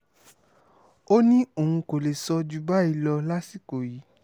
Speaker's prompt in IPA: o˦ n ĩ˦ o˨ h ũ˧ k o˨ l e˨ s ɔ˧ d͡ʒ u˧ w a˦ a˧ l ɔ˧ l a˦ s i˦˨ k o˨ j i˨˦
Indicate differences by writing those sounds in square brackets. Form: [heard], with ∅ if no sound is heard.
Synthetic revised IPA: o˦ n ĩ˦ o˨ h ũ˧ k o˨ l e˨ s ɔ˧ d͡ʒ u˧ [b] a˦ [i˧] l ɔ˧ l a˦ s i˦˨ k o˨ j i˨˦